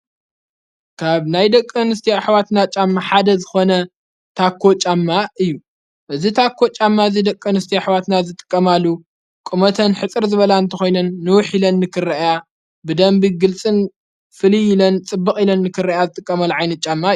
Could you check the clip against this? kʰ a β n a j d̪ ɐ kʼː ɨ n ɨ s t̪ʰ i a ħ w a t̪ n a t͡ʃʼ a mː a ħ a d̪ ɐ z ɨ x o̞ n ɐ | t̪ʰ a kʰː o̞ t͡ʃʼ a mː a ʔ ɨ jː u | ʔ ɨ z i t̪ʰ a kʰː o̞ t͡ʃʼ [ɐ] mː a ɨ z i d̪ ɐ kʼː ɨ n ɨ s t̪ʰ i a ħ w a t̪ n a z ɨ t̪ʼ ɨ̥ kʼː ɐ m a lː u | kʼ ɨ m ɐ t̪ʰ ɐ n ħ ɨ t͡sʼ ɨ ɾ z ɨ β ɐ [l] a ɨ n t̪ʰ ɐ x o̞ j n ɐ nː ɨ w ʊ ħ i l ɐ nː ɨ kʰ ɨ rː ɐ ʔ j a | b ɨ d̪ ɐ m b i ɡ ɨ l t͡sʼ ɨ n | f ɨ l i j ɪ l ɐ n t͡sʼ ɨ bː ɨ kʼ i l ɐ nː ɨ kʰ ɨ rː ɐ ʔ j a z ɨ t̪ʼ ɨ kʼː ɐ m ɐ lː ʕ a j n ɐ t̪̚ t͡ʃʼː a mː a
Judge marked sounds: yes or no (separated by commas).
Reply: no, yes